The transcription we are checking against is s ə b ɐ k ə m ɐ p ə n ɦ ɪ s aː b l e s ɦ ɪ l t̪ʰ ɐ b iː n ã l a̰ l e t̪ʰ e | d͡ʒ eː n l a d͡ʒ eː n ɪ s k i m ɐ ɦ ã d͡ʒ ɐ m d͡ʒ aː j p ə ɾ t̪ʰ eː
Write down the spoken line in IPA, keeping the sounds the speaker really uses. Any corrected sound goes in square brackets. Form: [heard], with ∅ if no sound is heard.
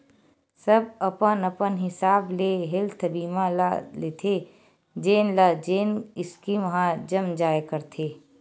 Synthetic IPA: s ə b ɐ [p] ə [n] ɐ p ə n ɦ ɪ s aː b l e [∅] ɦ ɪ l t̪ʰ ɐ b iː [m] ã l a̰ l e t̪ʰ e | d͡ʒ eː n l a d͡ʒ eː n ɪ s k i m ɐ ɦ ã d͡ʒ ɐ m d͡ʒ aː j [k] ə ɾ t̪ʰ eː